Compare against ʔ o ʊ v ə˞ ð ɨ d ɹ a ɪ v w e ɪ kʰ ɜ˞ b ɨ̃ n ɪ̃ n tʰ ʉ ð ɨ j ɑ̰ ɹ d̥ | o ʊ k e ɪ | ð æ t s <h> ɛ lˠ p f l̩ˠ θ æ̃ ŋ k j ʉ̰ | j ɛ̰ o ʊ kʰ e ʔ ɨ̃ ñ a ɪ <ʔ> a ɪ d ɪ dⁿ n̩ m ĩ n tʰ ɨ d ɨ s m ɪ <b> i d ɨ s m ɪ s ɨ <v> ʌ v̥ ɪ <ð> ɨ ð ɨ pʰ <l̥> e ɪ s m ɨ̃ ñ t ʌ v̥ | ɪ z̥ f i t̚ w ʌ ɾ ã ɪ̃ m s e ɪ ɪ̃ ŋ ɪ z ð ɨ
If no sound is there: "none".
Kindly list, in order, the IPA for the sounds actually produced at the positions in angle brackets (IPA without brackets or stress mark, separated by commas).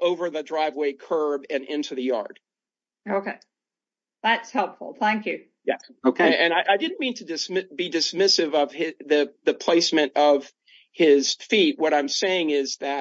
h, ʔ, b, v, ð, l̥